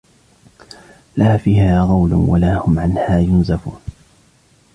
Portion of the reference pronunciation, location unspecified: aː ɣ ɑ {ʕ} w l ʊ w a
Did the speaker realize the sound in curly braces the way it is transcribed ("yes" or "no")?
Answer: no